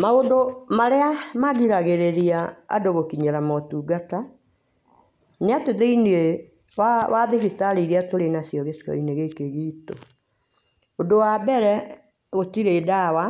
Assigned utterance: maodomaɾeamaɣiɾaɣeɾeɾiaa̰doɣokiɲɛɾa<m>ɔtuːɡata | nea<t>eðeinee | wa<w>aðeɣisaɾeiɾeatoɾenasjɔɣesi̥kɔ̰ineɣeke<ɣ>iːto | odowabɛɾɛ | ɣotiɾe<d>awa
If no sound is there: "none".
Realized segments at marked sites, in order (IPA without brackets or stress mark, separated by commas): m, t, w, ɣ, d